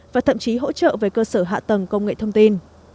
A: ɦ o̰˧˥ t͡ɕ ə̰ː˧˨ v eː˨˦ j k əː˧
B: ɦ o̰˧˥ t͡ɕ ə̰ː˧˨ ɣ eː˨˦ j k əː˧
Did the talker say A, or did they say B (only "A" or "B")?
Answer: A